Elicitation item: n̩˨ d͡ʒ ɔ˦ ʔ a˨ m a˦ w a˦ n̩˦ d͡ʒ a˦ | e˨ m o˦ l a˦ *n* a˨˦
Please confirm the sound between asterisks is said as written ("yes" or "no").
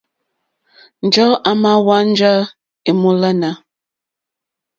yes